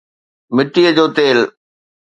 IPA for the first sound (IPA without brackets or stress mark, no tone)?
m